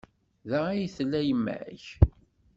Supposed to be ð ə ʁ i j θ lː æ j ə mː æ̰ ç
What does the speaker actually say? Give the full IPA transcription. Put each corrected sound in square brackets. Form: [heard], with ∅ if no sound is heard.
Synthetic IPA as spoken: ð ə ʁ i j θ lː æ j ə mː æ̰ ç